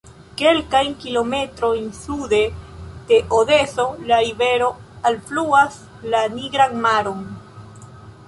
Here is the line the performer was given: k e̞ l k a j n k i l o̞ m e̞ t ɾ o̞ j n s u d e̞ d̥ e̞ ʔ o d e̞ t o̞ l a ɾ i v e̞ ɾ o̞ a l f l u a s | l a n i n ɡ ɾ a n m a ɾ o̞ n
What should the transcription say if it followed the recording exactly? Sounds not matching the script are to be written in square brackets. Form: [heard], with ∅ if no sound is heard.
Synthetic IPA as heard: k e̞ l k a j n k i l o̞ m e̞ t ɾ o̞ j n s u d e̞ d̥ e̞ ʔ o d e̞ [s] o̞ l a ɾ i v e̞ ɾ o̞ a l f l u a s | l a n i [∅] ɡ ɾ a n m a ɾ o̞ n